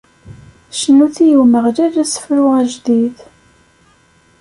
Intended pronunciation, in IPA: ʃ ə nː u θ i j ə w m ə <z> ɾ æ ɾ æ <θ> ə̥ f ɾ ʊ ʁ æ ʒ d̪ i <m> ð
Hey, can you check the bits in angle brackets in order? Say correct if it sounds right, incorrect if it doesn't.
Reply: incorrect, incorrect, incorrect

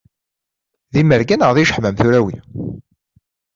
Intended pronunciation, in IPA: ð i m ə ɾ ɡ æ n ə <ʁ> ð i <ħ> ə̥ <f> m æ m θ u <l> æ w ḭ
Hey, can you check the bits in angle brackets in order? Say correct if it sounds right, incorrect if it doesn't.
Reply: correct, incorrect, incorrect, incorrect

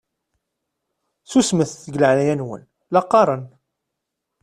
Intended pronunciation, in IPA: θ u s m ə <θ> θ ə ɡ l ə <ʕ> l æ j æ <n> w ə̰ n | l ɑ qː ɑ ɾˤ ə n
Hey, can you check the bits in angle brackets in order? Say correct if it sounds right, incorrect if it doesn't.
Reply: correct, correct, correct

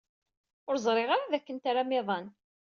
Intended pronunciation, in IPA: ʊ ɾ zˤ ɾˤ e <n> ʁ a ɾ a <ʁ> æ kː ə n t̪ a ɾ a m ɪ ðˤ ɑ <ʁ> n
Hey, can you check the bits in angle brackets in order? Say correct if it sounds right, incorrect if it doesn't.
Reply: incorrect, incorrect, incorrect

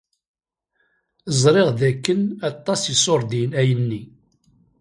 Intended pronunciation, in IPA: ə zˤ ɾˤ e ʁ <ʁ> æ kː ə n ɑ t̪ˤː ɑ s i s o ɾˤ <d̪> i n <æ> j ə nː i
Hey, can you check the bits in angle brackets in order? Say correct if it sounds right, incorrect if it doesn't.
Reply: incorrect, correct, correct

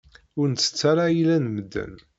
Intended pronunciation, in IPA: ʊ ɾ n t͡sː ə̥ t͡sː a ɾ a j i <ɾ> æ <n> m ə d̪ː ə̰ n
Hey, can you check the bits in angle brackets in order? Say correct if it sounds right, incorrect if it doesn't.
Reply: incorrect, correct

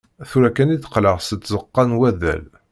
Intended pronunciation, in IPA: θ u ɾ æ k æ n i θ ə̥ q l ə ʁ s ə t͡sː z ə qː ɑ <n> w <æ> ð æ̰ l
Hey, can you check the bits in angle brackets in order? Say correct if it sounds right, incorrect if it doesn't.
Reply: correct, correct

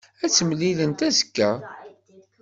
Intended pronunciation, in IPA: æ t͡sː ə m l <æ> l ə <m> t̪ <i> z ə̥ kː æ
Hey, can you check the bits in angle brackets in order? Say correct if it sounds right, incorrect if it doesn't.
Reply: incorrect, incorrect, incorrect

